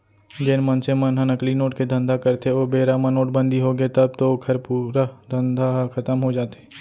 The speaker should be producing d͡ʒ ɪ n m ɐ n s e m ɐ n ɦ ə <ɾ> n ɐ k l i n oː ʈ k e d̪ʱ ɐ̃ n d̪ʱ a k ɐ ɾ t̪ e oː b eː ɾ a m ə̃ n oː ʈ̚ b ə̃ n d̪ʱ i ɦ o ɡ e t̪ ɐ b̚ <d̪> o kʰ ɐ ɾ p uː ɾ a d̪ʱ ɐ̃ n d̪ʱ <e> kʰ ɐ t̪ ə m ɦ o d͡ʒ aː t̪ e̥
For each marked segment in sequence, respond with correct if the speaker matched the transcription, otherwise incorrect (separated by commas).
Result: incorrect, incorrect, incorrect